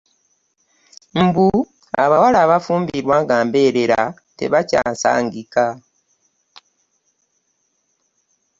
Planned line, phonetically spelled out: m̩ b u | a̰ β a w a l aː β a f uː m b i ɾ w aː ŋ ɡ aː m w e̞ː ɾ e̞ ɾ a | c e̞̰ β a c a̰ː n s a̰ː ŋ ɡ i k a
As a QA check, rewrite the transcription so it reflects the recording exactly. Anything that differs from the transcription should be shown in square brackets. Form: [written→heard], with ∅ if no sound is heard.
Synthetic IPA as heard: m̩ b u | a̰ β a w a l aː β a f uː m b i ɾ w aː ŋ ɡ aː m [w→b] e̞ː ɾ e̞ ɾ a | [c→t] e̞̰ β a c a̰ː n s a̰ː ŋ ɡ i k a